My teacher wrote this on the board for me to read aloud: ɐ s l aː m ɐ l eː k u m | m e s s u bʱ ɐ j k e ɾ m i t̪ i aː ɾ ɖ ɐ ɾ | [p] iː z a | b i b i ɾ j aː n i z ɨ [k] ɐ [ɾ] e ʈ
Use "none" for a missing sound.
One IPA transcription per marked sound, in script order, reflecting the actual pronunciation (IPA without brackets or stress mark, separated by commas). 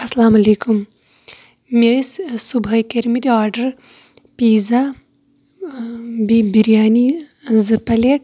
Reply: p, p, l